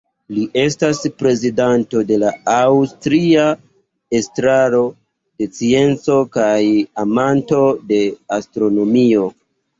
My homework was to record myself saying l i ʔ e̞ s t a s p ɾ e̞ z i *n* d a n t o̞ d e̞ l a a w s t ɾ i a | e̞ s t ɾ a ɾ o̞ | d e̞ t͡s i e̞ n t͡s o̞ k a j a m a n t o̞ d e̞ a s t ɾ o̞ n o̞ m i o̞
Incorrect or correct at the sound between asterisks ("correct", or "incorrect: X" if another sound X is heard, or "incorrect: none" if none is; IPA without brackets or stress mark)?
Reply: incorrect: none